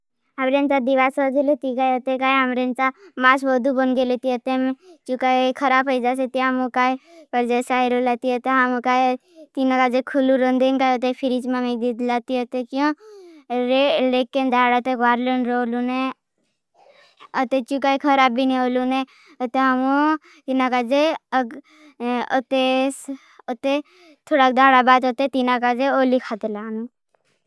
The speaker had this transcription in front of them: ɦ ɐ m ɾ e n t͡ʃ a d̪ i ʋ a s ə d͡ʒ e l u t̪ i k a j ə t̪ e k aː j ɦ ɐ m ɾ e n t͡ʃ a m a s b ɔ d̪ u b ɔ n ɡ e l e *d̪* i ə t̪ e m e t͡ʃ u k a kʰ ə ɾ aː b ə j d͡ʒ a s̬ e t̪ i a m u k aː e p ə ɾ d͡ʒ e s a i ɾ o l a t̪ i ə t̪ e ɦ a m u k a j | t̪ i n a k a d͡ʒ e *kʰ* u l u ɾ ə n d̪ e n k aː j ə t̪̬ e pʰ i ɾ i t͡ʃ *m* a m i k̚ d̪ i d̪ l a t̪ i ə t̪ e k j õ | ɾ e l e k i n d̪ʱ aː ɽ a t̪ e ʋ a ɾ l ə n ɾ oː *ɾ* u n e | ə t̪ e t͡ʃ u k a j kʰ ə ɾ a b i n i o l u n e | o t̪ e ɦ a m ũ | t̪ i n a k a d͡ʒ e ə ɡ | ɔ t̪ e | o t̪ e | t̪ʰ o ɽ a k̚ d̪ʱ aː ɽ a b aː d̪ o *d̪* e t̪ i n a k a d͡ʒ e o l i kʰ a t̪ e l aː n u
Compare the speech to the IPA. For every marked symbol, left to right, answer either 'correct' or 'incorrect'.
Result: incorrect, correct, correct, incorrect, incorrect

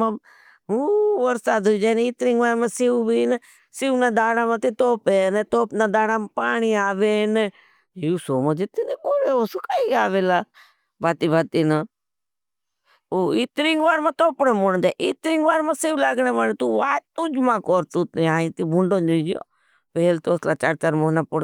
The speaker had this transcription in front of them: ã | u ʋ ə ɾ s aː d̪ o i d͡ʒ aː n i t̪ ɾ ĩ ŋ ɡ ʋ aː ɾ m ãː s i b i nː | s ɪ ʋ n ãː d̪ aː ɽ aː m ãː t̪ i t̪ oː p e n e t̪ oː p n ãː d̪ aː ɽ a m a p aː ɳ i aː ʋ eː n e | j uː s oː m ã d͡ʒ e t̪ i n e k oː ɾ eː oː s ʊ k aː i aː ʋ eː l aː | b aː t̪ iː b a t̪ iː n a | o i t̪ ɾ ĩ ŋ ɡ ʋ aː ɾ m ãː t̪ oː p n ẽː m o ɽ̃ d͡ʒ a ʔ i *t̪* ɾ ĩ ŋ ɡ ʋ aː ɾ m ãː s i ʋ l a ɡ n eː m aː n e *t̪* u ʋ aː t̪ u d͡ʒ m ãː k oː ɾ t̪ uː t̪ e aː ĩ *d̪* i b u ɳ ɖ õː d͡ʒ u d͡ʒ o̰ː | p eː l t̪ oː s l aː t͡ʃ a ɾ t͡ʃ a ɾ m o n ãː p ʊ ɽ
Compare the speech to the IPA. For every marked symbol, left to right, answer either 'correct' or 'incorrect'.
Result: correct, correct, incorrect

